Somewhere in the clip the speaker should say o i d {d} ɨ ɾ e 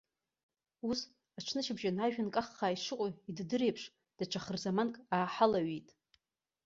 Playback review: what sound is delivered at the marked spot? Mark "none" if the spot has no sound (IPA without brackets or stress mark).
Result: d